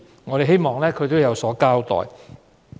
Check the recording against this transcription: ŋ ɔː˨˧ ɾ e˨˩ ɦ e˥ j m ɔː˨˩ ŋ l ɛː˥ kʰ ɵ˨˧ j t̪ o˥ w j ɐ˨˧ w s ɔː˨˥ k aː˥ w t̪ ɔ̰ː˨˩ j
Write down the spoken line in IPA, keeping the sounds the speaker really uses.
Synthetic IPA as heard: ŋ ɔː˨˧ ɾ e˨˩ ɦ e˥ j m ɔː˨˩ ŋ l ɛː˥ kʰ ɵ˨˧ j t̪ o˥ w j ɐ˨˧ w s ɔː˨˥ k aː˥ w t̪ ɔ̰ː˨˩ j